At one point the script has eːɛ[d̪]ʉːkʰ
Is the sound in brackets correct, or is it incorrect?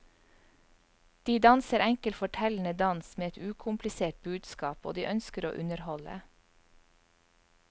incorrect